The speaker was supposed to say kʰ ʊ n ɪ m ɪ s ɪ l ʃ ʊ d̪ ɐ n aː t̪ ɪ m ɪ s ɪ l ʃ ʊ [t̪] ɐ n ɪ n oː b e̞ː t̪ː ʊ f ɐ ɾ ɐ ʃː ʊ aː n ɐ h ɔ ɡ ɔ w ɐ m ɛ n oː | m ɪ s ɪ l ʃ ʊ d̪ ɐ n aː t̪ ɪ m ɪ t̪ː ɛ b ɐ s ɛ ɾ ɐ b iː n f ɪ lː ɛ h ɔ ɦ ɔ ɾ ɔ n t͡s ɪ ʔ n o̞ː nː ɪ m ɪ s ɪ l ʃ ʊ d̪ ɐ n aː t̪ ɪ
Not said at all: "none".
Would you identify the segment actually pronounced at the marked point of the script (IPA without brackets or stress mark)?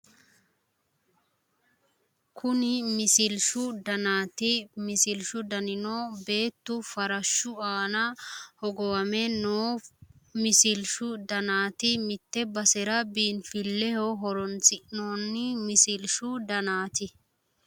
d̪